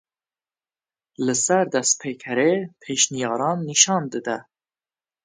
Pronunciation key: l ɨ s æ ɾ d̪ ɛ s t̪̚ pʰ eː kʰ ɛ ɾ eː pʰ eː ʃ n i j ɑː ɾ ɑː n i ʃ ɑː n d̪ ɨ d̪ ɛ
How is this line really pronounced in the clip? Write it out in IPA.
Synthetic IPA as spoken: l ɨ s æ ɾ d̪ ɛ s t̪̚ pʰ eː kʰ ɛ ɾ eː pʰ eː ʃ n i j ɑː ɾ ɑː nː i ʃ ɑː n d̪ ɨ d̪ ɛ